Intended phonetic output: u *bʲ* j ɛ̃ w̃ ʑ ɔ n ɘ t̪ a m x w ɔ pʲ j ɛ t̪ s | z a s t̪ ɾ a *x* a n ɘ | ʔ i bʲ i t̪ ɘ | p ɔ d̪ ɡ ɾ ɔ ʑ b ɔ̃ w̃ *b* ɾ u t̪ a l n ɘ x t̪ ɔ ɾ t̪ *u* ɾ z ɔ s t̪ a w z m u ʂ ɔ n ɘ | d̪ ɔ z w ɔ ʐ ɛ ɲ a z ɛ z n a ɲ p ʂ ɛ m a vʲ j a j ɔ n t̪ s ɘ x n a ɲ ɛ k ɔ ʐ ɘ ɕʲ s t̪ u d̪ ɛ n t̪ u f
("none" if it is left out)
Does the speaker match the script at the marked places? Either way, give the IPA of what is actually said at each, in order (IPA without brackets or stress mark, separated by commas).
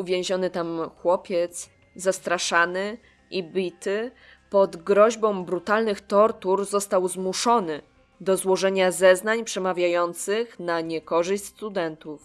vʲ, ʂ, b, u